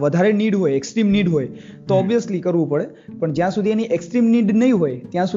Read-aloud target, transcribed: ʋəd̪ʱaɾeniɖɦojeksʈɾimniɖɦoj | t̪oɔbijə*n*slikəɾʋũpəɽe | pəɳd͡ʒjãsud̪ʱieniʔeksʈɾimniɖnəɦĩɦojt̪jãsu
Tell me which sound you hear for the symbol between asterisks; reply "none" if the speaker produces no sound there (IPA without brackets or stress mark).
none